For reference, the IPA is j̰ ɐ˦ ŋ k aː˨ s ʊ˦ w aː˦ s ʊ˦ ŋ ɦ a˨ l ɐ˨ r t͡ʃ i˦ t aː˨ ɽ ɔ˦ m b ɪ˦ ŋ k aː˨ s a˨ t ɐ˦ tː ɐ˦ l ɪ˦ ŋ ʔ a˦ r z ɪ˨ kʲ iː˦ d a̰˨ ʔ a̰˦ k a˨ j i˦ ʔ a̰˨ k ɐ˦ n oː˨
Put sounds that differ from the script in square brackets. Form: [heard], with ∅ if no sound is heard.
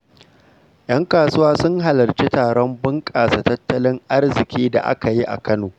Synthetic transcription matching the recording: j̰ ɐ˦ ŋ k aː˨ s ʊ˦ w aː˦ s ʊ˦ ŋ ɦ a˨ l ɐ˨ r t͡ʃ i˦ t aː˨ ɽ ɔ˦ m b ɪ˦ ŋ [kʼ] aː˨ s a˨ t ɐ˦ tː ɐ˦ l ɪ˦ ŋ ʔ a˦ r z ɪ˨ kʲ iː˦ d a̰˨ ʔ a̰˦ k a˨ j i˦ ʔ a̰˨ k ɐ˦ n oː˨